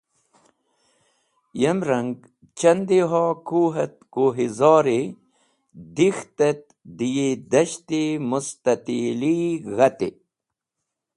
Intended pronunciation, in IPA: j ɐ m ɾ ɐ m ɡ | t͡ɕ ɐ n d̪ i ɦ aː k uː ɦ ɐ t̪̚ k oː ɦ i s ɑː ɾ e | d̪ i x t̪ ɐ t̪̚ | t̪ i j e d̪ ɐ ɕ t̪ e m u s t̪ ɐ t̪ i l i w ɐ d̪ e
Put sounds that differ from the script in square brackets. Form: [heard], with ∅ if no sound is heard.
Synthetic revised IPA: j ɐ m ɾ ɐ [ŋ] ɡ | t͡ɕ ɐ n d̪ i ɦ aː k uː ɦ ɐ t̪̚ k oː ɦ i [z] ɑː ɾ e | d̪ i x t̪ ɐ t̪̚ | [d̪] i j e d̪ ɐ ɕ t̪ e m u s t̪ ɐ t̪ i l i [ɣ] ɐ [t̪] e